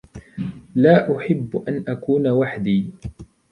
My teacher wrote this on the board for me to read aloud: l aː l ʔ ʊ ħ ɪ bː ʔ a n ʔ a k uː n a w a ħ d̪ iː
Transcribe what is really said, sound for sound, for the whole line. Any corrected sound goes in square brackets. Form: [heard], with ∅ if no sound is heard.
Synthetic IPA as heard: l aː [∅] ʔ ʊ ħ ɪ bː ʔ a n ʔ a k uː n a w a ħ d̪ iː